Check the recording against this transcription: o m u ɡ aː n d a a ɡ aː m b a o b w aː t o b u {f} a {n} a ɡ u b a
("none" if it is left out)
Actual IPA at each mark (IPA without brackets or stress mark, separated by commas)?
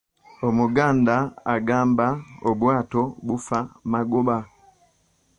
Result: f, m